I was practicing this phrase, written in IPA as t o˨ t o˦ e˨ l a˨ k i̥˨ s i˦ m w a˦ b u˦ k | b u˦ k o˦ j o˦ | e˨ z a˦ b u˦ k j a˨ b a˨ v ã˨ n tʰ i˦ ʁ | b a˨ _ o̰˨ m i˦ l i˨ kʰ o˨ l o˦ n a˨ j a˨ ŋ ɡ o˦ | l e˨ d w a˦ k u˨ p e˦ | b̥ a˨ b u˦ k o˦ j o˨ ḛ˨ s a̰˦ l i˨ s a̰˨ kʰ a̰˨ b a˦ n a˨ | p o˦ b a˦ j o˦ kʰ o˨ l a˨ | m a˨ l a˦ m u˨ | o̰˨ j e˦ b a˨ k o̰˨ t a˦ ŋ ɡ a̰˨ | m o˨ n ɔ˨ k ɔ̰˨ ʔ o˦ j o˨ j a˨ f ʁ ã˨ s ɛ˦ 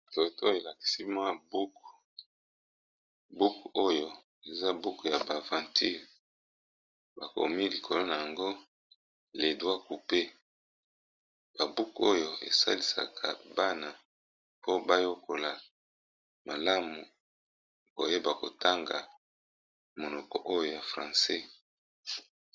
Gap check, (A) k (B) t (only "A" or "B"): A